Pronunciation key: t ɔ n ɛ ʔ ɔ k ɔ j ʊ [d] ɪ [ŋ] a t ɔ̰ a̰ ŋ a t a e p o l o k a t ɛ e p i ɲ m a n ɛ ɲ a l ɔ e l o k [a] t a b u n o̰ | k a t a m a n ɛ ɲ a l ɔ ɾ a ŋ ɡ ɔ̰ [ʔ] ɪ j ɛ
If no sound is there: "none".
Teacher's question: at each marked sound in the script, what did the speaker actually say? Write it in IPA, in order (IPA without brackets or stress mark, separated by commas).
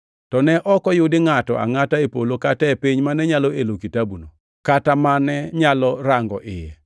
d, ŋ, i, ʔ